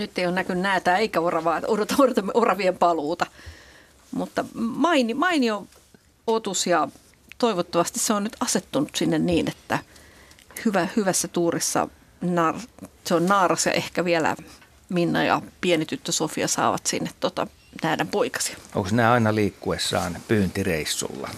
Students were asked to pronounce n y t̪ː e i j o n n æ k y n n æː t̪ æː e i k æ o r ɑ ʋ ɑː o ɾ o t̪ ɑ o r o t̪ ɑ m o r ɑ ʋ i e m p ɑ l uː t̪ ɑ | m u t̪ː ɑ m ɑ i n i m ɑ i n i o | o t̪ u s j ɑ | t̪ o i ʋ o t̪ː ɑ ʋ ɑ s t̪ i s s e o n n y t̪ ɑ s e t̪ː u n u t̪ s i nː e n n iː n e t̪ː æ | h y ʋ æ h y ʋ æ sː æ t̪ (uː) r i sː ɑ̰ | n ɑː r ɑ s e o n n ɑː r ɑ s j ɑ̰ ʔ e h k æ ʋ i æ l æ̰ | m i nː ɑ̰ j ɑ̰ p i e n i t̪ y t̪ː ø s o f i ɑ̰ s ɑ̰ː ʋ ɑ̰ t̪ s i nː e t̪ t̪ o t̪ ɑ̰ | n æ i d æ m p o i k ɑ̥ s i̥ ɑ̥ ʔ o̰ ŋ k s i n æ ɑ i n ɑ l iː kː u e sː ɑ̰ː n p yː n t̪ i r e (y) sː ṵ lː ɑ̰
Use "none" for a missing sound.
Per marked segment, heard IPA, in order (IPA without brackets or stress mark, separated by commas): uː, i